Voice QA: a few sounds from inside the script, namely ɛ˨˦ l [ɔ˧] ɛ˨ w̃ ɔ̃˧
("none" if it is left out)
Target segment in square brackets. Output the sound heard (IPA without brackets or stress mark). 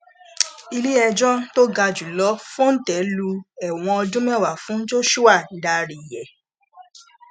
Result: u˧